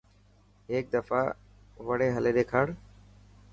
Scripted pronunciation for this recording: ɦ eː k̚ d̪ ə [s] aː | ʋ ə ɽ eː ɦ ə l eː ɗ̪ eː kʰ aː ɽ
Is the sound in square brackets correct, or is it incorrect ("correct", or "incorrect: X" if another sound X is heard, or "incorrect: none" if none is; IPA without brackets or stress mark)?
incorrect: f